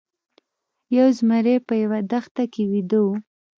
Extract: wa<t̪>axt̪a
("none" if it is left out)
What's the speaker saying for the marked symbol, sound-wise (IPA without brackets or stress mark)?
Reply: d̪